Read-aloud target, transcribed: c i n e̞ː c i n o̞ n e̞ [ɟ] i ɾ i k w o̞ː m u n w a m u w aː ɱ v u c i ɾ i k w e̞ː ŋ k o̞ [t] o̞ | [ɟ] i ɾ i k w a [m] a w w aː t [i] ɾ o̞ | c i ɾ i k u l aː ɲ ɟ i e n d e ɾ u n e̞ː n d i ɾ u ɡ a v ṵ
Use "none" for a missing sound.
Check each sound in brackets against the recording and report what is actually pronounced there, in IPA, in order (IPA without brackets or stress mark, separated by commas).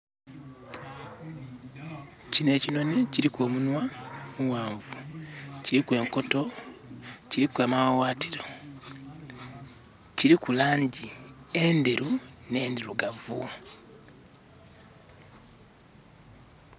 c, t, c, m, i